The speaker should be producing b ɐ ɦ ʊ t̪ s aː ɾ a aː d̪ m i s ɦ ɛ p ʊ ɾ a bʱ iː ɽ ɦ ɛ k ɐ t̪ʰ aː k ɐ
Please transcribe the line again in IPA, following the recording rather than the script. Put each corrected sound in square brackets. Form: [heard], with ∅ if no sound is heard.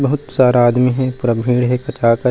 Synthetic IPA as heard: b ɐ ɦ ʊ t̪ s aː ɾ a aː d̪ m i [∅] ɦ ɛ p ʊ ɾ a bʱ iː ɽ ɦ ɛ k ɐ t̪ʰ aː k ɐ